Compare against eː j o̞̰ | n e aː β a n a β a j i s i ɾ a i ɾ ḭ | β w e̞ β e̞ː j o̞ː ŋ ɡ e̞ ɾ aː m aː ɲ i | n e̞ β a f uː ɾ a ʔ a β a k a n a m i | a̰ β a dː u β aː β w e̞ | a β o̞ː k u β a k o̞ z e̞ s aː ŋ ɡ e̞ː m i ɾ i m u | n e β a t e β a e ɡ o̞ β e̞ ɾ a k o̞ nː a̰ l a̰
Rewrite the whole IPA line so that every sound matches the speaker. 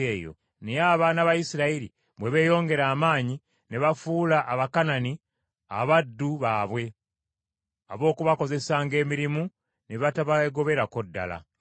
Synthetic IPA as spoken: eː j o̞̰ | n e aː β a n a β a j i s i ɾ a i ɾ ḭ | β w e̞ β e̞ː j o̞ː ŋ ɡ e̞ ɾ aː m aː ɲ i | n e̞ β a f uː l a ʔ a β a k a n a n i | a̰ β a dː u β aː β w e̞ | a β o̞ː k u β a k o̞ z e̞ s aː ŋ ɡ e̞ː m i ɾ i m u | n e β a t a β a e ɡ o̞ β e̞ ɾ a k o̞ dː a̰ l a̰